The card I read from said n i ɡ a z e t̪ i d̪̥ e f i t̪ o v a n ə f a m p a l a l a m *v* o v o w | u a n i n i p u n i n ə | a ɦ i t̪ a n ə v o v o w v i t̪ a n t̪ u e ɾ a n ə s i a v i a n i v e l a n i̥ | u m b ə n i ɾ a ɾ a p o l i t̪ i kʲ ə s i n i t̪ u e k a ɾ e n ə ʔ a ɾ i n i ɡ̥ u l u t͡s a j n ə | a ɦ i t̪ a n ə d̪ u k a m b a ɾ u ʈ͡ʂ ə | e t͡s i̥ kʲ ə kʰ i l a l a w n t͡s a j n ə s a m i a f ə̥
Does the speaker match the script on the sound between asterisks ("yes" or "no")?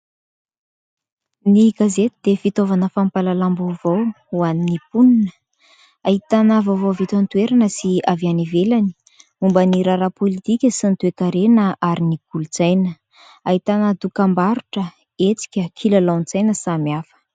no